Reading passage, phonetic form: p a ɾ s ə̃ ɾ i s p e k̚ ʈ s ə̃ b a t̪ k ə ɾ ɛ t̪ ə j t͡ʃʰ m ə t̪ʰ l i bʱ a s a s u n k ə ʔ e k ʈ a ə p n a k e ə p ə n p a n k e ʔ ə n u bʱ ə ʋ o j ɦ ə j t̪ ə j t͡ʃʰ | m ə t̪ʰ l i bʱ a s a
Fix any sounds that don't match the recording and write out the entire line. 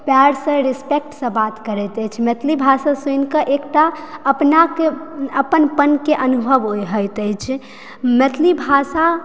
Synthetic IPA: p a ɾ s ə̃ ɾ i s p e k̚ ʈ s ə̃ b a t̪ k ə ɾ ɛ t̪ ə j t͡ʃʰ m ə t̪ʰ l i bʱ a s a s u n k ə ʔ e k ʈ a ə p n a k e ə p ə n p ə n k e ʔ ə n u bʱ ə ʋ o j ɦ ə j t̪ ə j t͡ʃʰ | m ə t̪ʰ l i bʱ a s a

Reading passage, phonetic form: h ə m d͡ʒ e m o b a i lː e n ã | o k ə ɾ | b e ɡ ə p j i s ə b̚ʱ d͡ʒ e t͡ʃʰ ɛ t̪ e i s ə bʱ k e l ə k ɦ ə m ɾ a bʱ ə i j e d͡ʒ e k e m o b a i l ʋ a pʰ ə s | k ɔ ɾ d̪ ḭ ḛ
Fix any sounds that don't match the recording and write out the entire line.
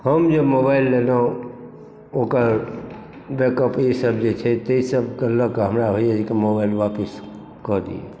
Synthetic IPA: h ə m d͡ʒ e m o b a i lː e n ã | o k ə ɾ | b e k ə p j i s ə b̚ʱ d͡ʒ e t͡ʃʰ ɛ t̪ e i s ə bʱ k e l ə k ɦ ə m ɾ a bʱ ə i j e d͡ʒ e k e m o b a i l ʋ a p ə s | k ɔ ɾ d̪ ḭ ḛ

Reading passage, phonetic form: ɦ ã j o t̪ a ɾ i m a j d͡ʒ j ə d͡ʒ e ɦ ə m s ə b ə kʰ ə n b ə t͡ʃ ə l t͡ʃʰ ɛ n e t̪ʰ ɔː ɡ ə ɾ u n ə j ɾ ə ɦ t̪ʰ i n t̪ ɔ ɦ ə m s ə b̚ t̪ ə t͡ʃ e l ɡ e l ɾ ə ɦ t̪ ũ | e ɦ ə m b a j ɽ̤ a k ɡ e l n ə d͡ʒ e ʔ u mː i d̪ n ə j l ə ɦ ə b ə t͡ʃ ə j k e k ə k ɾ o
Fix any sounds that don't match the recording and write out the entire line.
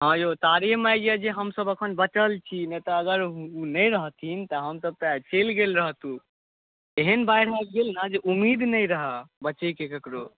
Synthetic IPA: ɦ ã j o t̪ a ɾ i m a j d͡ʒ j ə d͡ʒ e ɦ ə m s ə b ə kʰ ə n b ə t͡ʃ ə l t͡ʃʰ i n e t̪ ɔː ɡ ə ɾ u n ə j ɾ ə ɦ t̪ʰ i n t̪ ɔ ɦ ə m s ə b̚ t̪ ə t͡ʃ e l ɡ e l ɾ ə ɦ t̪ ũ | e ɦ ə n b a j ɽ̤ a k ɡ e l n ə d͡ʒ e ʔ u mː i d̪ n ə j ɾ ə ɦ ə b ə t͡ʃ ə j k e k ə k ɾ o

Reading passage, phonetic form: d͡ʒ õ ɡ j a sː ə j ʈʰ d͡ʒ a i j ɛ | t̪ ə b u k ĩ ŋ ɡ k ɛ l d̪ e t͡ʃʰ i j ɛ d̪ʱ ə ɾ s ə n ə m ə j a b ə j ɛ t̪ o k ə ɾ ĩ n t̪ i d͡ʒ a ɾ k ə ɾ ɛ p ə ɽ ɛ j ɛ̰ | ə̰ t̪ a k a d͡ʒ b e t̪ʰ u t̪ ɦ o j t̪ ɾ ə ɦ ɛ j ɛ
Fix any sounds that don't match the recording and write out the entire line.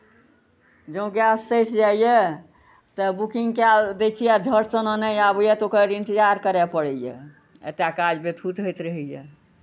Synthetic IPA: d͡ʒ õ ɡ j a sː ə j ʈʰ d͡ʒ a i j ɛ | t̪ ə b u k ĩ ŋ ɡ k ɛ l d̪ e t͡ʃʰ i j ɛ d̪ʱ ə ɾ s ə n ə n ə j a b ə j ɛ t̪ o k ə ɾ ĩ n t̪ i d͡ʒ a ɾ k ə ɾ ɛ p ə ɽ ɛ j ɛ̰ | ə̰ t̪ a k a d͡ʒ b e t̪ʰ u t̪ ɦ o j t̪ ɾ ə ɦ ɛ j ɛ

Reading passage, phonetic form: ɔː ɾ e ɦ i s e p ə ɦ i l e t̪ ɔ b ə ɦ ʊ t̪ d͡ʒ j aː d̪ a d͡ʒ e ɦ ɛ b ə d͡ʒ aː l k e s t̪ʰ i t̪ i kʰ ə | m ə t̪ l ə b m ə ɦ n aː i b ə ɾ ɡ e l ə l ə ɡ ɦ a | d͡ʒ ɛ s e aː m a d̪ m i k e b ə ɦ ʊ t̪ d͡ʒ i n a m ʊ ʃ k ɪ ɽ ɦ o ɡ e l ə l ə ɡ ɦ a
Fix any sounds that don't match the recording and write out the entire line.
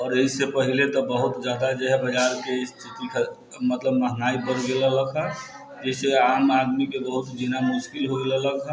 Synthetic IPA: ɔː ɾ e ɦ i s e p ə ɦ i l e t̪ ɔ b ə ɦ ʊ t̪ d͡ʒ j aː d̪ a d͡ʒ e ɦ ɛ b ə d͡ʒ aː ɾ k e s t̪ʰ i t̪ i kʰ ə | m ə t̪ l ə b m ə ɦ n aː i b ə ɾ ɡ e l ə l ə ɡ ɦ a | d͡ʒ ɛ s e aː m a d̪ m i k e b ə ɦ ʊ t̪ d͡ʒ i n a m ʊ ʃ k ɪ l ɦ o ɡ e l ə l ə ɡ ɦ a

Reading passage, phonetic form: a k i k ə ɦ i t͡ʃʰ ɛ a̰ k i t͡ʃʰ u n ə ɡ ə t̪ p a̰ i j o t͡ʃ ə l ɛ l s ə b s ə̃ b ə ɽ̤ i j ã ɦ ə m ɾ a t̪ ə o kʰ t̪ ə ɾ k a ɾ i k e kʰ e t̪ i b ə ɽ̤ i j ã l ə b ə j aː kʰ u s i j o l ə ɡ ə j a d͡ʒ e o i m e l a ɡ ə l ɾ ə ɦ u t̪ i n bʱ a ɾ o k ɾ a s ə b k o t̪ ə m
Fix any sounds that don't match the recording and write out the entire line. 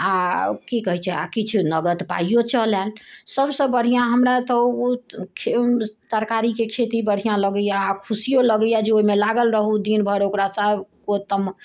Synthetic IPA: a k i k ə ɦ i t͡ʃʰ ɛ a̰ k i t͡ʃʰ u n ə ɡ ə t̪ p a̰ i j o t͡ʃ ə l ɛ l s ə b s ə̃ b ə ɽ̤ i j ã ɦ ə m ɾ a t̪ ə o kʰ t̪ ə ɾ k a ɾ i k e kʰ e t̪ i b ə ɽ̤ i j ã l ə ɡ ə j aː kʰ u s i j o l ə ɡ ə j a d͡ʒ e o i m e l a ɡ ə l ɾ ə ɦ u d̪ i n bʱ ə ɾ o k ɾ a s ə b k o t̪ ə m

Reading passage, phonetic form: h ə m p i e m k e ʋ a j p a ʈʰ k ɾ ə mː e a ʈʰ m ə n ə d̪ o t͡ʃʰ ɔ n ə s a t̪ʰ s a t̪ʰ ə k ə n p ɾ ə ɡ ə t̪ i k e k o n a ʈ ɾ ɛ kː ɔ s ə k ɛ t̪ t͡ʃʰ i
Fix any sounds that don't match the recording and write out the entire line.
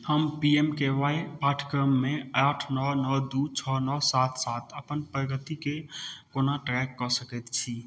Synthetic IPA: h ə m p i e m k e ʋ a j p a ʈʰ k ɾ ə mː e a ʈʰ n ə n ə d̪ u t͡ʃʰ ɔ n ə s a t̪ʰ s a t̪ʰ ə p ə n p ɾ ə ɡ ə t̪ i k e k o n a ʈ ɾ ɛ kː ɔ s ə k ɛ t̪ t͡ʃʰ i

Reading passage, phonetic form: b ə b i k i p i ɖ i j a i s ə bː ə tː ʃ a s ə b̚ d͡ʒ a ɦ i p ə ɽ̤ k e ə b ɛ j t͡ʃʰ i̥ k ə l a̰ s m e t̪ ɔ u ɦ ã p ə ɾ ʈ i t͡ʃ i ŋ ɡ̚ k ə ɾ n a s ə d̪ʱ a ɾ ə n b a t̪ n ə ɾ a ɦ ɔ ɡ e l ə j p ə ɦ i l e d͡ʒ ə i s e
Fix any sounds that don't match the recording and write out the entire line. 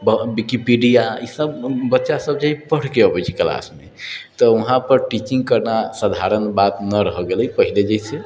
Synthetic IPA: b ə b i k i p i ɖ i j a i s ə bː ə tː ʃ a s ə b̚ d͡ʒ a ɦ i p ə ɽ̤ k e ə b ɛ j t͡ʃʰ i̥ k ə l a̰ s m e t̪ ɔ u ɦ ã p ə ɾ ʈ i t͡ʃ i ŋ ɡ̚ k ə ɾ n a s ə d̪ʱ a ɾ ə n b a t̪ n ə ɾ ə ɦ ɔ ɡ e l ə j p ə ɦ i l e d͡ʒ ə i s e

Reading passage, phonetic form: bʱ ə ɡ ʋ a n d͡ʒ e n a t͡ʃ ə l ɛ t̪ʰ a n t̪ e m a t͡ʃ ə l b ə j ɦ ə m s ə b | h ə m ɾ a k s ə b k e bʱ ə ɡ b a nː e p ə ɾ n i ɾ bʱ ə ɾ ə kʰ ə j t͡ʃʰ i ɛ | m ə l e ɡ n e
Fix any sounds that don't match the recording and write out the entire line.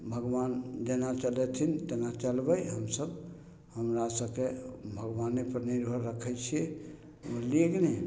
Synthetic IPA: bʱ ə ɡ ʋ a n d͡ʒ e n a t͡ʃ ə l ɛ t̪ʰ i n t̪ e n a t͡ʃ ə l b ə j ɦ ə m s ə b | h ə m ɾ a s ə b k e bʱ ə ɡ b a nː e p ə ɾ n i ɾ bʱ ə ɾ ə kʰ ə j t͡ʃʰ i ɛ | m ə l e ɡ n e

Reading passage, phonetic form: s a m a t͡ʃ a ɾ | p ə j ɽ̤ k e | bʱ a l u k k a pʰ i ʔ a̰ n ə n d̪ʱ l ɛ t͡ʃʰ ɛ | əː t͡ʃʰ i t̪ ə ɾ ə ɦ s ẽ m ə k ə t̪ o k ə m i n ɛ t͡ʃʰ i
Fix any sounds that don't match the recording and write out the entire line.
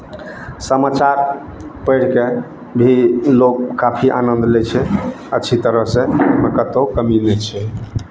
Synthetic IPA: s ə m a t͡ʃ a ɾ | p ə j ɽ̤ k e | bʱ i l o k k a pʰ i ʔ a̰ n ə n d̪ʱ l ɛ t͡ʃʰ ɛ | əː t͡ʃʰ i t̪ ə ɾ ə ɦ s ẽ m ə k ə t̪ o k ə m i n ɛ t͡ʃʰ ɛ

